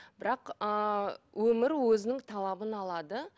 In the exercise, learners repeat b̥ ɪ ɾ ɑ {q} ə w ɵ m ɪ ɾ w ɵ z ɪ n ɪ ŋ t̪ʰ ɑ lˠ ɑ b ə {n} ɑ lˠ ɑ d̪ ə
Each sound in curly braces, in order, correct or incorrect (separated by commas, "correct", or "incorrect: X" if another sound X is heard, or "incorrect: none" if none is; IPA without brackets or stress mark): correct, correct